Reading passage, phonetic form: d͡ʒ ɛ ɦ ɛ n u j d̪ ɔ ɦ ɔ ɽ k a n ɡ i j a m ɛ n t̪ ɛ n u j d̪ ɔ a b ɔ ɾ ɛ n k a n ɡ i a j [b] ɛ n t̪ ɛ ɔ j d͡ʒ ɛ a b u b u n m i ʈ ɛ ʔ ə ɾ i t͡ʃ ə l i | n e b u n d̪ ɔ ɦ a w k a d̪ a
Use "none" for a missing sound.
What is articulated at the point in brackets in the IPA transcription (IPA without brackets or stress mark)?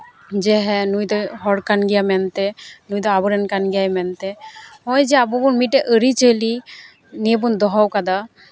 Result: m